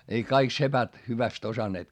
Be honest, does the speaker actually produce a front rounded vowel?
yes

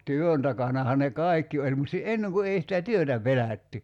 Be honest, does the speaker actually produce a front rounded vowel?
yes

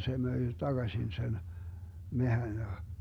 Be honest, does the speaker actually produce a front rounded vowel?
yes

